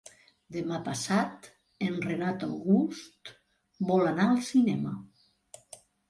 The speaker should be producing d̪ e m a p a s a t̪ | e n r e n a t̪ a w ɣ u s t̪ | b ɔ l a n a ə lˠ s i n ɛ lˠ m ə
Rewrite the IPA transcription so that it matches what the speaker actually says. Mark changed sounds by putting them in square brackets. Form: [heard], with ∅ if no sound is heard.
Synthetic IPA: d̪ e m a p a s a t̪ | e n r e n a t̪ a w ɣ u s t̪ | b ɔ l a n a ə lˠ s i n ɛ [∅] m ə